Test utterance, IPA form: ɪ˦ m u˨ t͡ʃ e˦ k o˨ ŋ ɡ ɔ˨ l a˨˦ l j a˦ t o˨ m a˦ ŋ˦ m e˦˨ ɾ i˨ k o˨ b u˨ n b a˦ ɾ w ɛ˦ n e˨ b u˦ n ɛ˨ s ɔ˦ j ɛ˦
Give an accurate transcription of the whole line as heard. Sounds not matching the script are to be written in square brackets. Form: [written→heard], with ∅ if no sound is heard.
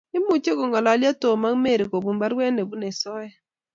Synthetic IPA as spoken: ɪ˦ m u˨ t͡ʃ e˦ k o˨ ŋ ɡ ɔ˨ l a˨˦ l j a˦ t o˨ m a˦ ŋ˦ m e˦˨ ɾ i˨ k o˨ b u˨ [n→m] b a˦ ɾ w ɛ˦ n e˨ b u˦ n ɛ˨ s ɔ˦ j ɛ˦